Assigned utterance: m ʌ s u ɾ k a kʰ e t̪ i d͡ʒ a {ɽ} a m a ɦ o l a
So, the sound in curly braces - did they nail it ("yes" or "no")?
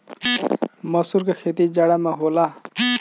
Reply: yes